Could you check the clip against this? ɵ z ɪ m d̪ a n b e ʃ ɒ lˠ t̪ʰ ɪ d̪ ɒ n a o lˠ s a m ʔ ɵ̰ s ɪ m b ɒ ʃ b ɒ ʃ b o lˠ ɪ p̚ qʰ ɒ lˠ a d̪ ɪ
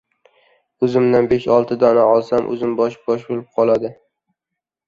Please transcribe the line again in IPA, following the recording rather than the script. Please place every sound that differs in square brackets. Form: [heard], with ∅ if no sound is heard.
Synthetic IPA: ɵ z ɪ m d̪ a n b e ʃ ɒ lˠ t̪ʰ ɪ d̪ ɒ n a [ɒ] lˠ s a m ʔ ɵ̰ [z] ɪ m b ɒ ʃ b ɒ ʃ b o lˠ ɪ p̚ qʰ ɒ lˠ a d̪ ɪ